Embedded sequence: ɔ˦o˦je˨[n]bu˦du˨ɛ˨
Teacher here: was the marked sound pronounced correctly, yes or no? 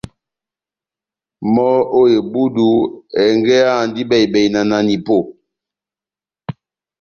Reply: no